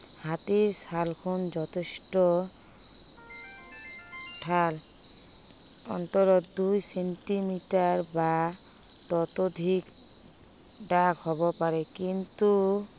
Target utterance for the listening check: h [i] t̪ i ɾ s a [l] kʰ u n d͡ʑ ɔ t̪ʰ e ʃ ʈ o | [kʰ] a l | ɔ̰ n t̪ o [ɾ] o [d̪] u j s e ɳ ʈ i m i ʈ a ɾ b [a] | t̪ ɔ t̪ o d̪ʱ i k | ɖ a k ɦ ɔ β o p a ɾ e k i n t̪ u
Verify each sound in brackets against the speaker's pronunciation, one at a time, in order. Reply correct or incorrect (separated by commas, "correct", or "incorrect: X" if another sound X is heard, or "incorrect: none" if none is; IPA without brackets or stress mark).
incorrect: a, correct, incorrect: ʈʰ, correct, correct, correct